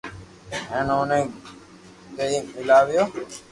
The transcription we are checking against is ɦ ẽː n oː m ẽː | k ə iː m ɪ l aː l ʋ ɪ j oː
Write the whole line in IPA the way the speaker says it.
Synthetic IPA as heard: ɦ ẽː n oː n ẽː | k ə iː m ɪ l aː ʋ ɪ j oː